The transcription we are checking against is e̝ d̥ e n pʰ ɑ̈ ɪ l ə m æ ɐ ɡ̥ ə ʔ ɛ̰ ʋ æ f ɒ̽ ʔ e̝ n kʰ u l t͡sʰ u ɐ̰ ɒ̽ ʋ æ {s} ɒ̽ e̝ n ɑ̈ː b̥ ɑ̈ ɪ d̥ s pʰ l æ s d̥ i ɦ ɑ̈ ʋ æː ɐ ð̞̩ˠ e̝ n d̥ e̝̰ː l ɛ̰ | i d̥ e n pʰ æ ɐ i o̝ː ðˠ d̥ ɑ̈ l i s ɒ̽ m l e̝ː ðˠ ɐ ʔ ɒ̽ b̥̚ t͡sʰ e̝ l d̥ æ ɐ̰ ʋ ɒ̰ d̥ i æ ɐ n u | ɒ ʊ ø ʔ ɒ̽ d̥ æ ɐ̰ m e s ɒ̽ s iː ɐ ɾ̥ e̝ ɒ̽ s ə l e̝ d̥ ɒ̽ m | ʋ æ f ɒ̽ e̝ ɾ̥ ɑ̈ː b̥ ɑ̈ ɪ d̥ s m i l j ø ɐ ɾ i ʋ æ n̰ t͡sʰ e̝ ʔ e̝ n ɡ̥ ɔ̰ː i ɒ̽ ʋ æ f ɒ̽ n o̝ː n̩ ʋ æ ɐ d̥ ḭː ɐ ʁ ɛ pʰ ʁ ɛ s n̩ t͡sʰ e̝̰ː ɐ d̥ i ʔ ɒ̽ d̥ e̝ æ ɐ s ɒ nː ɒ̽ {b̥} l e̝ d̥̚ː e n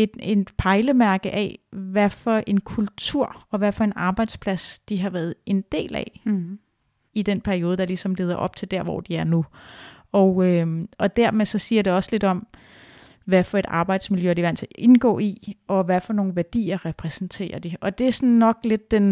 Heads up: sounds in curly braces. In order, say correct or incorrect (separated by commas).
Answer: incorrect, incorrect